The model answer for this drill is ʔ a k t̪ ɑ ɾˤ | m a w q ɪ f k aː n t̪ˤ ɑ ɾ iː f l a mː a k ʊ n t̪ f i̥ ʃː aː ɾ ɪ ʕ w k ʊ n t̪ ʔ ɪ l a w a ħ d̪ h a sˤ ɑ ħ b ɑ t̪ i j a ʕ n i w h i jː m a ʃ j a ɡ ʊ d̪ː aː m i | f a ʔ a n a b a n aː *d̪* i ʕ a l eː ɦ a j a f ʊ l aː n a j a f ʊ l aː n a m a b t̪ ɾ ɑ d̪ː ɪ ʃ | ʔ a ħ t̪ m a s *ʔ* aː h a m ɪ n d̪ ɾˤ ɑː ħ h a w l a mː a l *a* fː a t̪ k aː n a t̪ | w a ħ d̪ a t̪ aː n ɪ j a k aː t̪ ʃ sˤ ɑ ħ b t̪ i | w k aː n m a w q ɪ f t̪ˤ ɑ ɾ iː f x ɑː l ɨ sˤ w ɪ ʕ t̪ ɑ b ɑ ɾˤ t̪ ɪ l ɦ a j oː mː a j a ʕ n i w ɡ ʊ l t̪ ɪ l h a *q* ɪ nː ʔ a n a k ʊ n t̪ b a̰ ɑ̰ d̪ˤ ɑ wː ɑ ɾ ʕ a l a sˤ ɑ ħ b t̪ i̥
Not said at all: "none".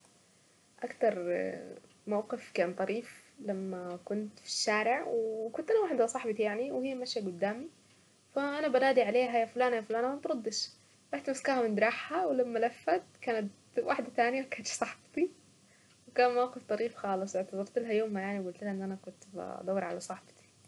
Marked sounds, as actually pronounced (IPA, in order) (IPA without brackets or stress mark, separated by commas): d̪, k, a, ʔ